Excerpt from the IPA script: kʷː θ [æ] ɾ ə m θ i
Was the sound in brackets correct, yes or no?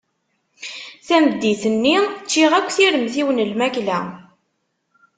no